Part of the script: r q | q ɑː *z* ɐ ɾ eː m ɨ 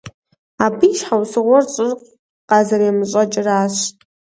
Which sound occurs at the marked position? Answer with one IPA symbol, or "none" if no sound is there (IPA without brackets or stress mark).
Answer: z